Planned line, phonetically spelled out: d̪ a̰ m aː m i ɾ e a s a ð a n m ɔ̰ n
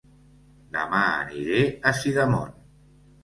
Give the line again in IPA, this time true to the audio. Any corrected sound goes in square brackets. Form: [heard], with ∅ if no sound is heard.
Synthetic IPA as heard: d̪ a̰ m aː [n] i ɾ e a s [i] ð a [∅] m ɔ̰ n